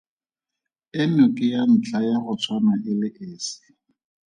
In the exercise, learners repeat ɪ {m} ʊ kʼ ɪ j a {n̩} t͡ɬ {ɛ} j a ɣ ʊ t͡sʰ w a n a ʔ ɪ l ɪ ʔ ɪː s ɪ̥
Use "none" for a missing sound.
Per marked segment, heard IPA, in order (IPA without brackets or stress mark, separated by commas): n, n̩, a